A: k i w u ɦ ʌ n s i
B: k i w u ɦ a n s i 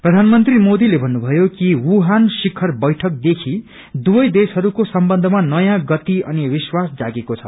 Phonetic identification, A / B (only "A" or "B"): B